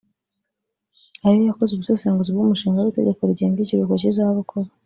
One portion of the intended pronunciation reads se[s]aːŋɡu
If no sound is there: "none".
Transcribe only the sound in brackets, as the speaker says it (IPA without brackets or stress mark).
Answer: s